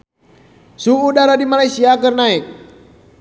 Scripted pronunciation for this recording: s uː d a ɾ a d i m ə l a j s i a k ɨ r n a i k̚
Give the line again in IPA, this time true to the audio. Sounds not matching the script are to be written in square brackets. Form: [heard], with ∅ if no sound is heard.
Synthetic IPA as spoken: s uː d a ɾ a d i m [a] l a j s i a k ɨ r n a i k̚